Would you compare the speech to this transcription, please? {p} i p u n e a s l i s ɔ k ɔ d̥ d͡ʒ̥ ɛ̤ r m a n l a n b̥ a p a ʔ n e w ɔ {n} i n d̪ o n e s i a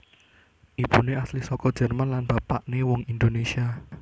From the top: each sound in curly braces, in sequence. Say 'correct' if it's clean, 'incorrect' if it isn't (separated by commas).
incorrect, incorrect